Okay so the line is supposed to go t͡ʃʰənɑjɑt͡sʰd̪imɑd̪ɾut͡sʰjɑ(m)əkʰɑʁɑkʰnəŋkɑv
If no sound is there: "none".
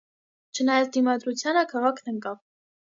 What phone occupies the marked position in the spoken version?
n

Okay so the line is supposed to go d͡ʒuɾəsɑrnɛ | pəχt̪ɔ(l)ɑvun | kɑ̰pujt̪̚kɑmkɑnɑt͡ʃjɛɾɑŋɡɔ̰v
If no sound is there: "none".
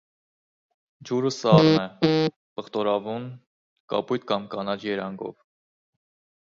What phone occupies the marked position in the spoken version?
ɾ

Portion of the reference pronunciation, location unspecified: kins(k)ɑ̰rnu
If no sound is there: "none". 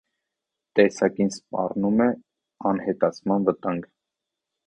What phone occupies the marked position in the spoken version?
p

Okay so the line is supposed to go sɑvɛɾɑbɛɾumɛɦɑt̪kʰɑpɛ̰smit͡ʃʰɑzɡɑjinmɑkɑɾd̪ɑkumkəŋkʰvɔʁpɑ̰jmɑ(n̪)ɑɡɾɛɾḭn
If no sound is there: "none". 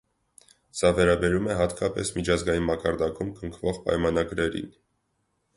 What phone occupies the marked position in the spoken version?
n̪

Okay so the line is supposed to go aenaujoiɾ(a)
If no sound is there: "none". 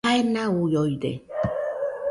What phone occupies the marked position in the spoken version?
e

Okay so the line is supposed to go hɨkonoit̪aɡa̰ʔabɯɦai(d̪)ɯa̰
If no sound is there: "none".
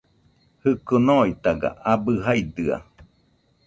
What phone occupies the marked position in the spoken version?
d̪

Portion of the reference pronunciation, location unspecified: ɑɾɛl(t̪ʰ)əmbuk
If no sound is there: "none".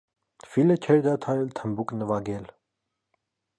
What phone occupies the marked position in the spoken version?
t̪ʰ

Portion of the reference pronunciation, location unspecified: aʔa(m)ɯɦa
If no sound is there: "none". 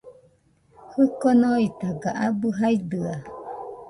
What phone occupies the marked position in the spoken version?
b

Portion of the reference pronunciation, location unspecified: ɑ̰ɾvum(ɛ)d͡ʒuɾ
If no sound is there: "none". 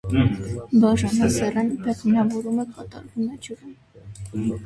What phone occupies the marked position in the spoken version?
ɛ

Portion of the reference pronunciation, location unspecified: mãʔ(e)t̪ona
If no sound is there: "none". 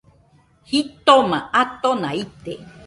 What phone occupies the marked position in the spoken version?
a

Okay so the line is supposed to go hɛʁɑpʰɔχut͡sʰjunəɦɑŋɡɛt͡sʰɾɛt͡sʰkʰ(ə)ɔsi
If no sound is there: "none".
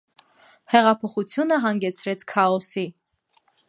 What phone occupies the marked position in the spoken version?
ɑ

